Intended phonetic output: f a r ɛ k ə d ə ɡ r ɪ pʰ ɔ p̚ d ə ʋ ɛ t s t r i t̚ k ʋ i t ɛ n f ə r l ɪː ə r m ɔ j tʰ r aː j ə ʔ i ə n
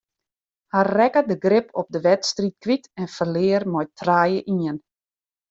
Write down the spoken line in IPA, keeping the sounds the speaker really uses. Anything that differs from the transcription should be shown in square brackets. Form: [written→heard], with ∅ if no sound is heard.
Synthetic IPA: [f→h] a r ɛ k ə d ə ɡ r ɪ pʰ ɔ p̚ d ə ʋ ɛ t s t r i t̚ k ʋ i t ɛ n f ə r l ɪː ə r m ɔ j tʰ r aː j ə ʔ i ə n